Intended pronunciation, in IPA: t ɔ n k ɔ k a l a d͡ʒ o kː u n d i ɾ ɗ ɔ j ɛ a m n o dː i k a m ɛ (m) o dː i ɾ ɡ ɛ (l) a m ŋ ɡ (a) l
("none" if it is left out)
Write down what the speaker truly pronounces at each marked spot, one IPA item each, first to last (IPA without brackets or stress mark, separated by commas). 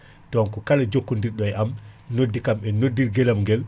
n, l, ɛ